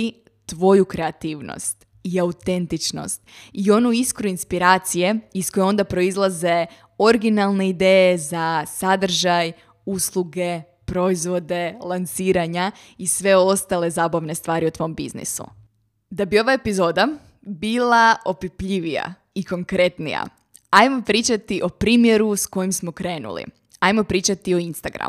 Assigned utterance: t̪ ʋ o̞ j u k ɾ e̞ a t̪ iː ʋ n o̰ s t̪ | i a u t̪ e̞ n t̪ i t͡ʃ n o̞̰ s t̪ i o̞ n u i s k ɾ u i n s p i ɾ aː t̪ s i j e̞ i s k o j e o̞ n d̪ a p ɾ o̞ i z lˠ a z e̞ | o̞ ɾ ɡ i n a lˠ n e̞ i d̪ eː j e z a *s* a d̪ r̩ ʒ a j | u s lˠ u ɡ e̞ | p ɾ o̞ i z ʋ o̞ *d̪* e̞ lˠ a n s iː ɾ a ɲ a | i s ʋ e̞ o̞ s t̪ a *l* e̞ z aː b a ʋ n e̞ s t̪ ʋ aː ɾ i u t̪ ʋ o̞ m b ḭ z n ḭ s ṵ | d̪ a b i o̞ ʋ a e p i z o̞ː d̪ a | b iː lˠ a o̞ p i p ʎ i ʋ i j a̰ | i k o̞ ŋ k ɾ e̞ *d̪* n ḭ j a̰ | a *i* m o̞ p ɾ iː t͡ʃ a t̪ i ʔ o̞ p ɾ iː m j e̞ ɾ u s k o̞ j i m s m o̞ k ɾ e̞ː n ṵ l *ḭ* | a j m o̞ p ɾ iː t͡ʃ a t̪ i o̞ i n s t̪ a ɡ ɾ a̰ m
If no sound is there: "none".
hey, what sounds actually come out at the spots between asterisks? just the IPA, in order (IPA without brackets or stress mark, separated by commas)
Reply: s, d̪, l, t̪, j, ḭ